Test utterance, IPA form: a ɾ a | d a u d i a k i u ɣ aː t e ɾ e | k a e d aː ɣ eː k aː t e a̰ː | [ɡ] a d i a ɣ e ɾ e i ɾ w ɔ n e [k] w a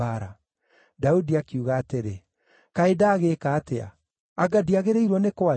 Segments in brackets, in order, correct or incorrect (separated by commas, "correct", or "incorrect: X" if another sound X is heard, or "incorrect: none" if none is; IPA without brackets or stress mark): correct, correct